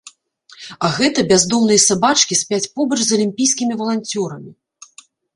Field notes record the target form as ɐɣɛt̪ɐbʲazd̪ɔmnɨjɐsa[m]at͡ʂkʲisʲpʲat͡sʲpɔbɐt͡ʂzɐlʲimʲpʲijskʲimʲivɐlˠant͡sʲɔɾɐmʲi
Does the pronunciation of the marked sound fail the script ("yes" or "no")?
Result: yes